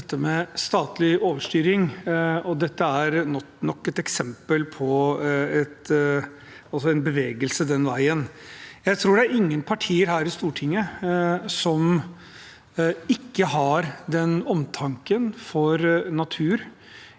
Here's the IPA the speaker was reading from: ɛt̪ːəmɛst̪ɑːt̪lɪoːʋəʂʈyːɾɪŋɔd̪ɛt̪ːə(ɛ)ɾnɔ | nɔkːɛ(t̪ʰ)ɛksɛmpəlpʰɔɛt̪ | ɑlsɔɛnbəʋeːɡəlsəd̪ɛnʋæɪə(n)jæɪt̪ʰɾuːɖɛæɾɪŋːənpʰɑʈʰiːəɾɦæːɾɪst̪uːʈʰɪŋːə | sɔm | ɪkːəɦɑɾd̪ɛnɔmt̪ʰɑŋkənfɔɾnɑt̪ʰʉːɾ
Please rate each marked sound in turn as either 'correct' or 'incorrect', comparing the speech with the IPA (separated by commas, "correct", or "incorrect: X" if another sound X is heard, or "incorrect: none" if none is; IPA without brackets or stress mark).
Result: incorrect: æ, incorrect: t̪, correct